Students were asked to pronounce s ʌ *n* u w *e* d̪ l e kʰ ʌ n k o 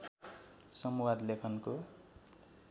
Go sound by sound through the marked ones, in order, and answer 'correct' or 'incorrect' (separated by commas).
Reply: incorrect, incorrect